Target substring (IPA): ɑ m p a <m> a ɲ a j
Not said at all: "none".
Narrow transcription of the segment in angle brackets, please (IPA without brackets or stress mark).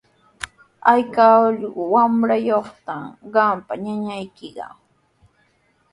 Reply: ɲ